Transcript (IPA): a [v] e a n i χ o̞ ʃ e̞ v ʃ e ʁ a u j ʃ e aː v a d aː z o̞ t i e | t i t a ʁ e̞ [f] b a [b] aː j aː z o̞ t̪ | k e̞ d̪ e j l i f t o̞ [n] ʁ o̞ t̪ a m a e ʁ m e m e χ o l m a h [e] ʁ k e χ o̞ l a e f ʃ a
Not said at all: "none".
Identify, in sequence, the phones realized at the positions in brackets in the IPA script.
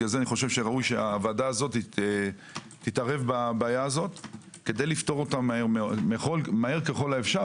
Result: z, v, b, none, e

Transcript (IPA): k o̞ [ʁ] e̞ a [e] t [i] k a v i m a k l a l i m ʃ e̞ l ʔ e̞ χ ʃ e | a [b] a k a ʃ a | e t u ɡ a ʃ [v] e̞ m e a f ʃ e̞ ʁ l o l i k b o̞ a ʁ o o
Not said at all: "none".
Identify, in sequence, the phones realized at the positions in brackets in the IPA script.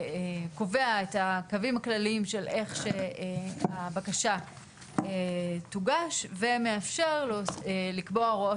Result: v, e, a, b, v

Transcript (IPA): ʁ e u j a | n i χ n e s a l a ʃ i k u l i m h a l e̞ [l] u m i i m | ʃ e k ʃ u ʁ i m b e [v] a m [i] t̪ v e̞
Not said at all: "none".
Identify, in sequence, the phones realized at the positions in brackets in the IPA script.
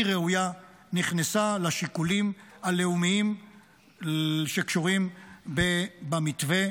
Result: none, b, i

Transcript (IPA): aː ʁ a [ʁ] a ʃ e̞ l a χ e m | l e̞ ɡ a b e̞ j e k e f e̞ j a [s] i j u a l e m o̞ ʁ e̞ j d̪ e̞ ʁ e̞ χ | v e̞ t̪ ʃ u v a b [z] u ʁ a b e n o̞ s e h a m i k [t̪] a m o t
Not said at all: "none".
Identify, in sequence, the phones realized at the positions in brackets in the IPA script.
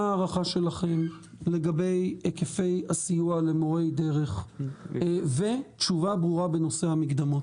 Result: χ, s, ʁ, d̪

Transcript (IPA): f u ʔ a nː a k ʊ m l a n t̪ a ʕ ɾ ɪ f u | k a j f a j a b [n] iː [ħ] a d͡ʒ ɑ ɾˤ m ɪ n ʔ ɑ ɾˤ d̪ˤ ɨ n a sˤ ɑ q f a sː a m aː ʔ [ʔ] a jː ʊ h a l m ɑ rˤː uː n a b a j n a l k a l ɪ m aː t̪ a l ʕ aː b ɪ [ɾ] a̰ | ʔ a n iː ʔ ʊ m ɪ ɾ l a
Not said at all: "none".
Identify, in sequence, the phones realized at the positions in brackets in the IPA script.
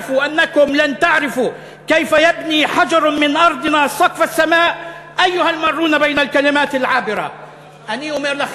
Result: n, ħ, ʔ, ɾ

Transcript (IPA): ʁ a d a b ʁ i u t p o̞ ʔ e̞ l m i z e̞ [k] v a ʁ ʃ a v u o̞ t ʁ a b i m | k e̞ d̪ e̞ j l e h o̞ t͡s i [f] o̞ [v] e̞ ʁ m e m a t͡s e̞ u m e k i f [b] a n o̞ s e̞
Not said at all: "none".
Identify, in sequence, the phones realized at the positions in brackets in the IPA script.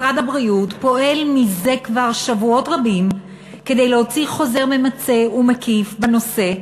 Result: k, χ, z, b

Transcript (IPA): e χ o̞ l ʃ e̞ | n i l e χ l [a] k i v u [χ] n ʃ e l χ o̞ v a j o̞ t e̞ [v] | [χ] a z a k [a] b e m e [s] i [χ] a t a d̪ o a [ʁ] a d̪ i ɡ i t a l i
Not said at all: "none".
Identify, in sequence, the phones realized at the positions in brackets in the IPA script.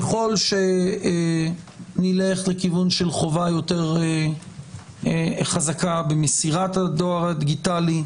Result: e, none, ʁ, χ, a, s, ʁ, ʁ

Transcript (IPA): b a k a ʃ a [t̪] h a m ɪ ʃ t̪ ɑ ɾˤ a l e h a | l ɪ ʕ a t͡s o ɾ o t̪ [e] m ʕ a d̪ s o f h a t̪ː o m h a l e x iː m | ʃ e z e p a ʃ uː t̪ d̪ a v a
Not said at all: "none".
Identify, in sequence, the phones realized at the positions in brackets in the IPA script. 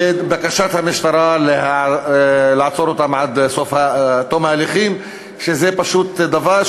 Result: t̪, a

